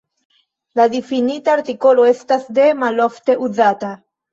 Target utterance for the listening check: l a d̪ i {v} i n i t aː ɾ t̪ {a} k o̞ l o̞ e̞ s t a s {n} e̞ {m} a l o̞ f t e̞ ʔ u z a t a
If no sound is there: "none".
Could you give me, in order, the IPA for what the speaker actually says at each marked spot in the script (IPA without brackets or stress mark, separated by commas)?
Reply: f, i, d, m